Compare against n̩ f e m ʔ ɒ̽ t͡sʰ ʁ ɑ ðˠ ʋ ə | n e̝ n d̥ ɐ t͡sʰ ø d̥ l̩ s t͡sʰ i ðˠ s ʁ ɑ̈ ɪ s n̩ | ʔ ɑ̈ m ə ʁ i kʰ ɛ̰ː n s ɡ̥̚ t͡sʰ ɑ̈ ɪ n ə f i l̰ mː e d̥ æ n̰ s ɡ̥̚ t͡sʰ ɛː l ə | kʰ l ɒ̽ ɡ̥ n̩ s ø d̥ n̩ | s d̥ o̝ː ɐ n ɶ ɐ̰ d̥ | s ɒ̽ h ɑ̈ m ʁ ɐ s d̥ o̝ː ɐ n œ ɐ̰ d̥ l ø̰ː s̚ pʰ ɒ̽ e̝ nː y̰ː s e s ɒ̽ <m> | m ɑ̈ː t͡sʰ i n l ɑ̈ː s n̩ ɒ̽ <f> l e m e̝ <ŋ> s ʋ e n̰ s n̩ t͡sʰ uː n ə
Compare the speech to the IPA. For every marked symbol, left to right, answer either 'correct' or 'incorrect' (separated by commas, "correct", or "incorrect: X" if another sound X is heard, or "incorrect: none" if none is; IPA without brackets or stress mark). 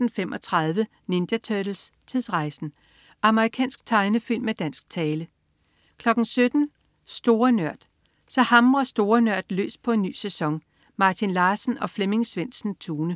incorrect: ŋ, correct, correct